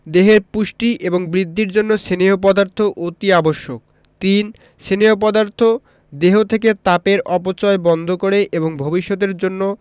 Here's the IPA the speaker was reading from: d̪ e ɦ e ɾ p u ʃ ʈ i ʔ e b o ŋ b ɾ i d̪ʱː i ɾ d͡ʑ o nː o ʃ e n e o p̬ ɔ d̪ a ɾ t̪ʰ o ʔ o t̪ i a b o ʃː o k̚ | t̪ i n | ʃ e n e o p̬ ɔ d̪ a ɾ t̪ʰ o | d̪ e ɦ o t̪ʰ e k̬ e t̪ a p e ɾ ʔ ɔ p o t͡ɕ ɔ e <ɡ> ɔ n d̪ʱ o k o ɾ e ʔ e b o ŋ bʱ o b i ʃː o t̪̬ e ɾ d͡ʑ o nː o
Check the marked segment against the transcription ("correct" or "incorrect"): incorrect